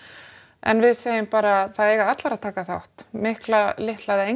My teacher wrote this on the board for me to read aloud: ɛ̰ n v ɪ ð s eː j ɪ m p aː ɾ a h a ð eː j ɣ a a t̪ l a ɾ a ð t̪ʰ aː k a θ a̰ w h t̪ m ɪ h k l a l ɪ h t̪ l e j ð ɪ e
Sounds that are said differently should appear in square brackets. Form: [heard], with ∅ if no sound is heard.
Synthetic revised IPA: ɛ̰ n v ɪ ð s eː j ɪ m p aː ɾ a [θ] a ð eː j ɣ a a t̪ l a ɾ a ð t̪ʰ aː k a θ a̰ w h t̪ m ɪ h k l a l ɪ h t̪ l [a] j ð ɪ e